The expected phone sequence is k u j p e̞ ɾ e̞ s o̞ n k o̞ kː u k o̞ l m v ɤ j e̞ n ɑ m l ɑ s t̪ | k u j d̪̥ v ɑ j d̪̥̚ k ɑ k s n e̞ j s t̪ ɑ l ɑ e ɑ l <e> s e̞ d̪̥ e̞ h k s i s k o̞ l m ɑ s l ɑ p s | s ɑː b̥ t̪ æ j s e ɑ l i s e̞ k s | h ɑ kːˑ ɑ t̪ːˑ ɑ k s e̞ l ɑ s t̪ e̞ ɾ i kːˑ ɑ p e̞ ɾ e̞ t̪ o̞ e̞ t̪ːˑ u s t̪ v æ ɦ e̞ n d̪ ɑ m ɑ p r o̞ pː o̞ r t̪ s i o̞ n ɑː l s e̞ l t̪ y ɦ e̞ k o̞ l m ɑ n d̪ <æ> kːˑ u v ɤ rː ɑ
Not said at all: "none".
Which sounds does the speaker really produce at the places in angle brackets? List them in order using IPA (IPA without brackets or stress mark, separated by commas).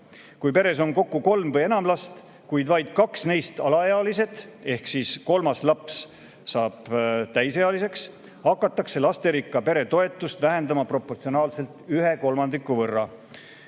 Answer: i, i